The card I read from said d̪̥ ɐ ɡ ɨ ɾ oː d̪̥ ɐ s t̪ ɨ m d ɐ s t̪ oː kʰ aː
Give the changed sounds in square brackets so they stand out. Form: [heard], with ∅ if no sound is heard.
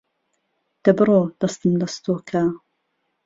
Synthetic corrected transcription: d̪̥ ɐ [b] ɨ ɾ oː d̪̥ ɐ s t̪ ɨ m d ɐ s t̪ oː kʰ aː